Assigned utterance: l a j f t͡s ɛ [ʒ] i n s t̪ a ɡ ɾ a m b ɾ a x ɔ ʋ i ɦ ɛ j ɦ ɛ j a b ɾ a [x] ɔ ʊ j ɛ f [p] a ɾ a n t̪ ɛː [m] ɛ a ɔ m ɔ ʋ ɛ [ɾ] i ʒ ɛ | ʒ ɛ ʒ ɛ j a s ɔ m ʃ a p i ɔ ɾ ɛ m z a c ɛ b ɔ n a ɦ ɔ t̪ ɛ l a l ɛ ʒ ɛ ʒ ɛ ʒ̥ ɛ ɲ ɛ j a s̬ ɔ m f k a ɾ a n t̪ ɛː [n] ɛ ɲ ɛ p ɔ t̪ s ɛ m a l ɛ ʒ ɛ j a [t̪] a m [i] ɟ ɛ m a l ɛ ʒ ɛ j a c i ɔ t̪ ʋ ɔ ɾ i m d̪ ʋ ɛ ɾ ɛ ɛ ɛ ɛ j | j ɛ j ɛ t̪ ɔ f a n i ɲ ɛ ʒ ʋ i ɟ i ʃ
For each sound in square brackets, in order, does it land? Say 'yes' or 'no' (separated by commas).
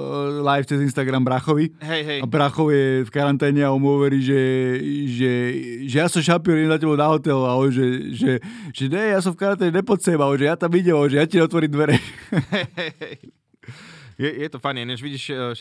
no, yes, no, no, yes, no, yes, yes